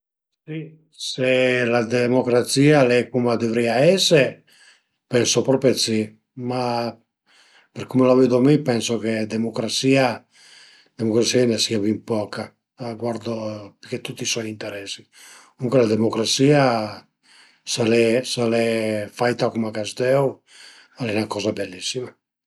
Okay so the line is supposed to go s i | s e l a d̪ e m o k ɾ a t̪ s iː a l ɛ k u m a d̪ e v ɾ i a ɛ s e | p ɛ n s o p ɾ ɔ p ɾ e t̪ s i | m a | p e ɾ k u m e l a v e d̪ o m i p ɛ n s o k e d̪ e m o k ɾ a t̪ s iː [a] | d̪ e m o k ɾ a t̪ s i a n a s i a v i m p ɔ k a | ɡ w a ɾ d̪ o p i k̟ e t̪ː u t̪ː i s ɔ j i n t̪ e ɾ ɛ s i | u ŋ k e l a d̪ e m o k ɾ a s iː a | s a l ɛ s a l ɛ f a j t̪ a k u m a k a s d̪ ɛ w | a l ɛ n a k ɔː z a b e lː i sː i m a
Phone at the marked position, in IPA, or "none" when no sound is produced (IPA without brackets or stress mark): a